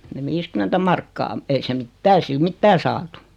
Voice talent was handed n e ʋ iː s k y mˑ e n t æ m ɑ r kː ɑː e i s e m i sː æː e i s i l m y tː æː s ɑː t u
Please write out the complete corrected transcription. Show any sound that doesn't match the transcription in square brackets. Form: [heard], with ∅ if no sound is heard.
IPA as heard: n e ʋ iː s k y mˑ e n t æ m ɑ r kː ɑː e i s e m i [tː] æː e i s i l m [i] tː æː s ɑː t u